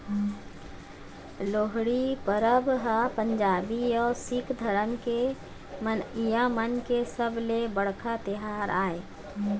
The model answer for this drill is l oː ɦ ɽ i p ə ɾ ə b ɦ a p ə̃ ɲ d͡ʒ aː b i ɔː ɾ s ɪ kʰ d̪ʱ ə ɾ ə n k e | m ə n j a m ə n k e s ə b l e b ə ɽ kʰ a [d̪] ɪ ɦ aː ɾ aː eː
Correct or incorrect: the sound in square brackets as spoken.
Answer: incorrect: t̪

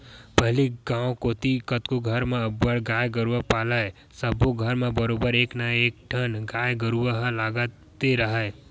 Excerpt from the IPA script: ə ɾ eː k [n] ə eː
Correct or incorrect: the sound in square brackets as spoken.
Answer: correct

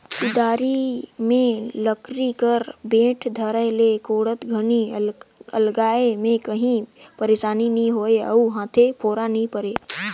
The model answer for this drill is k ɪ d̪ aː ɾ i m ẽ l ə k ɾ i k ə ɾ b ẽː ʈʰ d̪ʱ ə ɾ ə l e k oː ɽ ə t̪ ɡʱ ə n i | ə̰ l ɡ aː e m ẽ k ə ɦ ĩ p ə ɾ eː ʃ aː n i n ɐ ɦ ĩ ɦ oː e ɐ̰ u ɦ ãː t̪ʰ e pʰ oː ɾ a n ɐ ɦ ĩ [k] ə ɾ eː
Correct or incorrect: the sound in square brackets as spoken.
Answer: incorrect: p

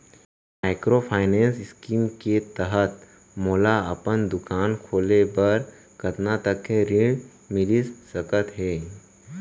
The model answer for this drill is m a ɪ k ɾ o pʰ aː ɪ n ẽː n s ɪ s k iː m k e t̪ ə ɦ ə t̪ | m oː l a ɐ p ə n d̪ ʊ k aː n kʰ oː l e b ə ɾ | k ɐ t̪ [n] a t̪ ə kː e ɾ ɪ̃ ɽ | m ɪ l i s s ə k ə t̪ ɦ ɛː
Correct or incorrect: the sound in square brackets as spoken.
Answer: correct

